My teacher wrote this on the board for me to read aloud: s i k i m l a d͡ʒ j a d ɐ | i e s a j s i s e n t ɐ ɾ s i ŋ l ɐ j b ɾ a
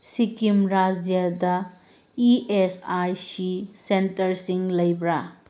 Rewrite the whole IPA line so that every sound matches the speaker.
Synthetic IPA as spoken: s i k i m ɾ a d͡ʒ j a d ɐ | i e s a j s i s e n t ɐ ɾ s i ŋ l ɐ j b ɾ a